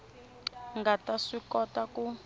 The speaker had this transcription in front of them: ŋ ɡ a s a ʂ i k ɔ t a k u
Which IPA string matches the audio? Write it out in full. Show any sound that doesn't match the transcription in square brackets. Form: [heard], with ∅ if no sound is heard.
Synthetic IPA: ŋ ɡ a [t] a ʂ i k ɔ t a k u